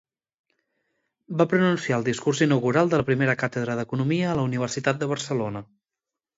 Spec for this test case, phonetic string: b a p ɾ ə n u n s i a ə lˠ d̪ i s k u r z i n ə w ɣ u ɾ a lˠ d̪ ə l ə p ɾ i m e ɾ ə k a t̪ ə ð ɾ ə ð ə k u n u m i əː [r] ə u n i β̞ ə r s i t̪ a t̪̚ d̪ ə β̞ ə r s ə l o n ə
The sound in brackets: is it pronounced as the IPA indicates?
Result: no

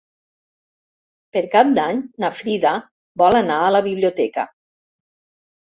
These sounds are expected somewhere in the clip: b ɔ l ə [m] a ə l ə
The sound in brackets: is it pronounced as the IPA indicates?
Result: no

